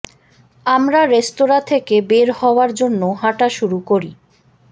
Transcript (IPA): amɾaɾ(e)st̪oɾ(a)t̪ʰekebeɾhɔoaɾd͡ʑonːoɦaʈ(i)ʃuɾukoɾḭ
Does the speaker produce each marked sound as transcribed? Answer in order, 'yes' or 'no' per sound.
yes, yes, no

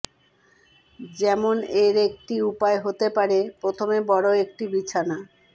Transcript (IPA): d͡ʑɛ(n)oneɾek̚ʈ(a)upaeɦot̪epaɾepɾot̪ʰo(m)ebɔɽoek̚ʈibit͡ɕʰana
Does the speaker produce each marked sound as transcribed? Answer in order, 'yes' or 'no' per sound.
no, no, yes

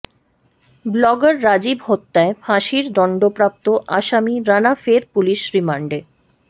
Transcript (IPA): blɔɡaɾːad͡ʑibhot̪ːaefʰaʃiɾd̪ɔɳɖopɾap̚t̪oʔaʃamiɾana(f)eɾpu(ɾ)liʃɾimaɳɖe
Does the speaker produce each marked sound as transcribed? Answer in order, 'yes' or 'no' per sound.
yes, no

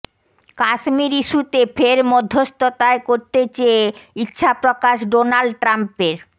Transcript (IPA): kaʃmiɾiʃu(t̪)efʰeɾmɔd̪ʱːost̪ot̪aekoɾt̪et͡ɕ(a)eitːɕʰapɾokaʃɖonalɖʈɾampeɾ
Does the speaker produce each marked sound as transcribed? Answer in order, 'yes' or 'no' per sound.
yes, no

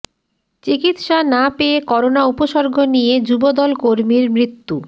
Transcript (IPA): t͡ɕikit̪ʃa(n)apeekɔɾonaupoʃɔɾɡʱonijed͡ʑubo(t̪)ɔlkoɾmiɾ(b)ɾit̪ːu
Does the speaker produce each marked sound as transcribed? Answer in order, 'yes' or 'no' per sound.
yes, no, no

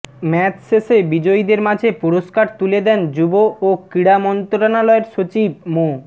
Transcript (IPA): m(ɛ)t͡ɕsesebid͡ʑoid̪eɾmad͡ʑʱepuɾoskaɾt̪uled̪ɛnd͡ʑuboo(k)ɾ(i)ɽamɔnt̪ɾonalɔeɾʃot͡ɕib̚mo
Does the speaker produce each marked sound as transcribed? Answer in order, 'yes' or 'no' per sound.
yes, yes, yes

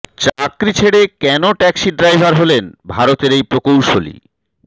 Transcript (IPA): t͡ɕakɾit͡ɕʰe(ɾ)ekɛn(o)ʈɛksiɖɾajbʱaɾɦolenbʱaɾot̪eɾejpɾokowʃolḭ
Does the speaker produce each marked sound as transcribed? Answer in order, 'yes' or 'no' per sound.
no, yes

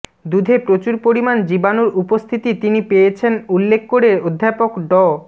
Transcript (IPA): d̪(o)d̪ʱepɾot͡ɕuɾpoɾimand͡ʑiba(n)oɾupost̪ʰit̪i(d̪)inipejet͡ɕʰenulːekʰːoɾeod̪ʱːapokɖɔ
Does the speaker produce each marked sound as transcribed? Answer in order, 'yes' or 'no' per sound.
no, yes, no

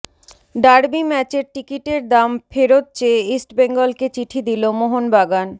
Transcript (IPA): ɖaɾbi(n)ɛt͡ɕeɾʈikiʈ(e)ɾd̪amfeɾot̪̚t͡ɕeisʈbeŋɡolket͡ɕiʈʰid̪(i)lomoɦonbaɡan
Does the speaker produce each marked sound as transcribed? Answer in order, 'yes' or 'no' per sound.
no, yes, yes

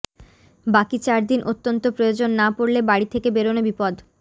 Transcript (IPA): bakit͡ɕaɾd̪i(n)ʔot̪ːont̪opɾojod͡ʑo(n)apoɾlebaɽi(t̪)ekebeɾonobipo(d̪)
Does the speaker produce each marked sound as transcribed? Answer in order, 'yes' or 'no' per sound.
yes, no, no, yes

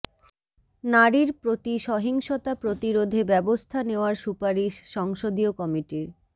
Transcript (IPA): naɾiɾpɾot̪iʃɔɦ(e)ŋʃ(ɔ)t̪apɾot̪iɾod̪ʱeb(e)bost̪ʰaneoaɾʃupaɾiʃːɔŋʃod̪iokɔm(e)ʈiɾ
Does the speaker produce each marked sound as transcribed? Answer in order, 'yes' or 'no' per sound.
no, no, no, no

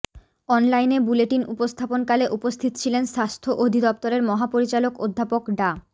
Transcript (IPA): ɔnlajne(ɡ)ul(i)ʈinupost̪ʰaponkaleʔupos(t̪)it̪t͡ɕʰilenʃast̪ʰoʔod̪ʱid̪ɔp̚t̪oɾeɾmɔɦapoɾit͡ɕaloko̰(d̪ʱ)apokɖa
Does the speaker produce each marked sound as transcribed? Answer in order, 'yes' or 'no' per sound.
no, no, no, no

